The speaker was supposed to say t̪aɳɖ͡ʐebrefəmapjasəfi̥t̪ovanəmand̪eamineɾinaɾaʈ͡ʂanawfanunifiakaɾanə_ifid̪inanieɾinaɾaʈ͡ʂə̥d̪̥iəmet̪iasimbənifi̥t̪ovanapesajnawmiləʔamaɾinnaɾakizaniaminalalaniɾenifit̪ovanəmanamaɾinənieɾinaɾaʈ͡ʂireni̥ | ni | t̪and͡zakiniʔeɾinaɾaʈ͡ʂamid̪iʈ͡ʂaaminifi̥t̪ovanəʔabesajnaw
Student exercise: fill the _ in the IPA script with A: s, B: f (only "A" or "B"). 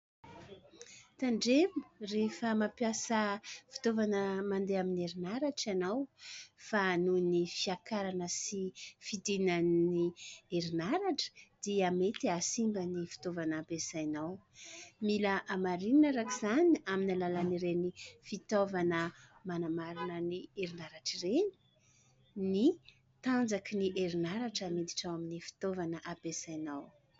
A